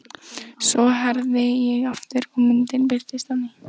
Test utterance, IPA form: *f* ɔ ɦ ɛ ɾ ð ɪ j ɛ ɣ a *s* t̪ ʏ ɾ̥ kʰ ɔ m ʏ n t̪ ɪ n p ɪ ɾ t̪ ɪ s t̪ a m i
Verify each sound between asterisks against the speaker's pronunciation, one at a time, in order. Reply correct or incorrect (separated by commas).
incorrect, incorrect